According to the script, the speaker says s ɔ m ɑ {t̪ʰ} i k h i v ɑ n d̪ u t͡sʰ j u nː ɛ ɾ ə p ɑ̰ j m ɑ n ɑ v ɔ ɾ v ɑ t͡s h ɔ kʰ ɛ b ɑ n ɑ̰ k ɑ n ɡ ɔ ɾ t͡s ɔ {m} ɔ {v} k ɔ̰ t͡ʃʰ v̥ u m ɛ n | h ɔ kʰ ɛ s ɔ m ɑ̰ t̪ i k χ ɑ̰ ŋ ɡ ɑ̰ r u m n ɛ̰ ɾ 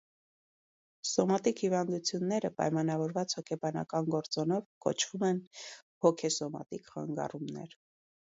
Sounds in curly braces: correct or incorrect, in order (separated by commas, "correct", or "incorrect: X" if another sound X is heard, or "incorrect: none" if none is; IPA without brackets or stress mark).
incorrect: t̪, incorrect: n, correct